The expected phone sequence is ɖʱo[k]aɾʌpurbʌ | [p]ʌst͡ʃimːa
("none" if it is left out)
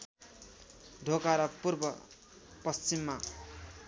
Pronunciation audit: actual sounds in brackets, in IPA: k, p

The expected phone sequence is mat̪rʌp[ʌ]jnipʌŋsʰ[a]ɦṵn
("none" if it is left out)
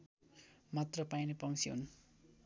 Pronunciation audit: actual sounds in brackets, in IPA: a, i

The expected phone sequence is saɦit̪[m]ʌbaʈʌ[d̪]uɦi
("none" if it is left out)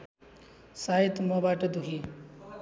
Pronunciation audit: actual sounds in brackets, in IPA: m, d̪

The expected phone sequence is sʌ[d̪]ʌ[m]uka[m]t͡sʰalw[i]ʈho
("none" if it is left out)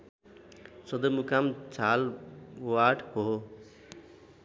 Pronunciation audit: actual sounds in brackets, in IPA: d̪, m, m, a

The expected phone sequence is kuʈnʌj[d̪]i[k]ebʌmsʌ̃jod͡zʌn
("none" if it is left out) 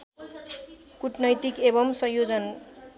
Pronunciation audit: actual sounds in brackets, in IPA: t̪, k

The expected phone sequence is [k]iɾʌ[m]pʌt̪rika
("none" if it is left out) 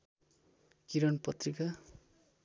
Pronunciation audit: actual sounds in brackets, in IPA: k, n

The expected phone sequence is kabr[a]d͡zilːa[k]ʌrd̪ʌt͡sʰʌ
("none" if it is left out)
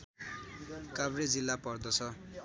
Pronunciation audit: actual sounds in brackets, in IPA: e, p

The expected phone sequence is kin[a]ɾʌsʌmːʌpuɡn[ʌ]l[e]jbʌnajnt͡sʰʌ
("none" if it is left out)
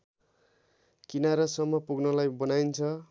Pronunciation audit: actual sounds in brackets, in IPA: a, ʌ, a

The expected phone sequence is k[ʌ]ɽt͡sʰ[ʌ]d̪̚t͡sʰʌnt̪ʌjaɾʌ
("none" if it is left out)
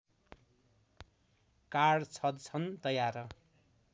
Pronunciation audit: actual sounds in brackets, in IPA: a, ʌ

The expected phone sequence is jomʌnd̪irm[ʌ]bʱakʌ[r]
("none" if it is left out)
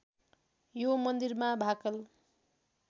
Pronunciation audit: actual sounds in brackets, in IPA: a, l

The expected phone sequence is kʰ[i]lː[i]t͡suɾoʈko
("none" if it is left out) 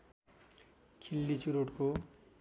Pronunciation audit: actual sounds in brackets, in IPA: i, i

